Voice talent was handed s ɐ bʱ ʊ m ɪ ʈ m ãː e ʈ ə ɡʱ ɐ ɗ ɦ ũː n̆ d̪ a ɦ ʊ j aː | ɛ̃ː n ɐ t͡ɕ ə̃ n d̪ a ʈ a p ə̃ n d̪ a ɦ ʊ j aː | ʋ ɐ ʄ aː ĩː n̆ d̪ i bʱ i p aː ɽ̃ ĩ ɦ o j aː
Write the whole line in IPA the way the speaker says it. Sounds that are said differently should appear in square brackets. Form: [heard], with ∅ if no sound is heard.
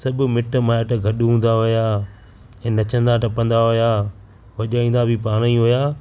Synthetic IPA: s ɐ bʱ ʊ m ɪ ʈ m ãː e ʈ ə ɡʱ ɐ ɗ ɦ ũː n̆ d̪ a ɦ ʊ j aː | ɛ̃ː n ɐ t͡ɕ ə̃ n d̪ a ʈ [ɐ] p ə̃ n d̪ a ɦ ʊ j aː | ʋ ɐ ʄ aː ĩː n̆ d̪ [a] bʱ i p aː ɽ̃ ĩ ɦ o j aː